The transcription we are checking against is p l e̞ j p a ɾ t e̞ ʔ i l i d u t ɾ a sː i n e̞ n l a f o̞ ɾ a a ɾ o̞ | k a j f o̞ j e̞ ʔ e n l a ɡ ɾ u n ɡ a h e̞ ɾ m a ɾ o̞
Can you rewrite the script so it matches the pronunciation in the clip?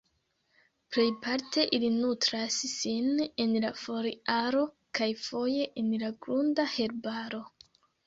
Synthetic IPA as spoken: p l e̞ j p a ɾ t e̞ ʔ i l i n u t ɾ a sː i n e̞ n l a f o̞ ɾ i a ɾ o̞ | k a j f o̞ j e̞ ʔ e n l a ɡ ɾ u n d a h e̞ ɾ b a ɾ o̞